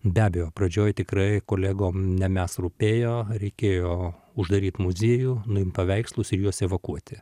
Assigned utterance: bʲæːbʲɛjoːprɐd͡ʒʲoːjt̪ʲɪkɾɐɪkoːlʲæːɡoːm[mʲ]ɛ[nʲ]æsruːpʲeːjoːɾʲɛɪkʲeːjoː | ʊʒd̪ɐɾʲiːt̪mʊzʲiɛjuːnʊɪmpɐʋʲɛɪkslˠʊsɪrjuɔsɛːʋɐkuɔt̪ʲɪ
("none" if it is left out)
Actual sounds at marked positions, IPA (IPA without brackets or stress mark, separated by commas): nʲ, mʲ